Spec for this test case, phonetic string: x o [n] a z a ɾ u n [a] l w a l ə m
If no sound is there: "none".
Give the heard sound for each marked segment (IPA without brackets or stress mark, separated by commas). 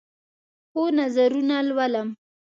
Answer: n, a